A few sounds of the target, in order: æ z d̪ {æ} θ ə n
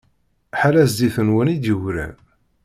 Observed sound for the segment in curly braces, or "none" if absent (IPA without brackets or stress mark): i